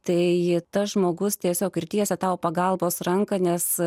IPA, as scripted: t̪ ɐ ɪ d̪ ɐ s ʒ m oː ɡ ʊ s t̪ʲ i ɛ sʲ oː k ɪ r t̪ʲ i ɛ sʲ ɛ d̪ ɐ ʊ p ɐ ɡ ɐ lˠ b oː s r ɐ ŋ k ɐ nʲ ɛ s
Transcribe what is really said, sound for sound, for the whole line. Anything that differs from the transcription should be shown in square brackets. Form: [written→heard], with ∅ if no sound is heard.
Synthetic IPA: t̪ ɐ ɪ [d̪→t̪] ɐ s ʒ m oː ɡ ʊ s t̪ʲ i ɛ sʲ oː k ɪ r t̪ʲ i ɛ sʲ ɛ [d̪→t̪] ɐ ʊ p ɐ ɡ ɐ lˠ b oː s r ɐ ŋ k ɐ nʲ ɛ s